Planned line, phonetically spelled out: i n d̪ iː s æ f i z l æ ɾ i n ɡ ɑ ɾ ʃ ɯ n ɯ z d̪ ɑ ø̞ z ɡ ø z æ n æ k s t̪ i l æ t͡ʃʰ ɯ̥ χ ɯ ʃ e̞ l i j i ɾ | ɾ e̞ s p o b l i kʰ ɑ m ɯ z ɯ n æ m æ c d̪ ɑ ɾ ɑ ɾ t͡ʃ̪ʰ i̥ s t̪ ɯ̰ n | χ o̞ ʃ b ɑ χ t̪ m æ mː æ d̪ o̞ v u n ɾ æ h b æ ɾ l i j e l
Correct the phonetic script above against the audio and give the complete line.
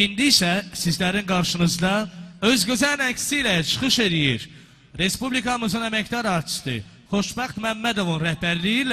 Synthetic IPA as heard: i n d̪ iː s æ s i z l æ ɾ i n ɡ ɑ ɾ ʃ ɯ n ɯ z d̪ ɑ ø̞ z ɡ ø z æ n æ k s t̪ i l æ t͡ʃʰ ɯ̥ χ ɯ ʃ e̞ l i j i ɾ | ɾ e̞ s p u b l i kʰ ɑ m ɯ z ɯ n æ m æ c d̪ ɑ ɾ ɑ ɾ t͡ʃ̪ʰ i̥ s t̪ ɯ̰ | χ o̞ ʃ b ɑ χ t̪ m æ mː æ d̪ o̞ v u n ɾ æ h b æ ɾ l i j i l